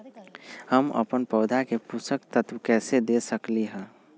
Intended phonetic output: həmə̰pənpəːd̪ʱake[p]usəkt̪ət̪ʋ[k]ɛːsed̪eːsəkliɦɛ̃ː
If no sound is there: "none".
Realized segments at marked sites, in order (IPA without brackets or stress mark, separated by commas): p, k